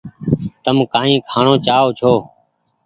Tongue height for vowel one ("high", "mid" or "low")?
mid